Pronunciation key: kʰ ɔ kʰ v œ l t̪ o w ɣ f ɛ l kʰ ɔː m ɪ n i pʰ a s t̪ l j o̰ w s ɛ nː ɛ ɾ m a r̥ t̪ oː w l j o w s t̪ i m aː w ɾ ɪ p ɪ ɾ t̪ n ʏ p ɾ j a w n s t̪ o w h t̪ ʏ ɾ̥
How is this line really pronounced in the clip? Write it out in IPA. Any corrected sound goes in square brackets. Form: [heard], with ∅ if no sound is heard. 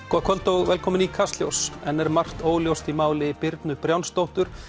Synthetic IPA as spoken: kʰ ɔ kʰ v œ l t̪ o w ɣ [v] ɛ l kʰ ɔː m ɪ n i [kʰ] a s t̪ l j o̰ w s ɛ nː ɛ ɾ m a r̥ t̪ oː w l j o w s t̪ i m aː w [l] ɪ p ɪ ɾ t̪ n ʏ p ɾ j a w n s t̪ o w h t̪ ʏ ɾ̥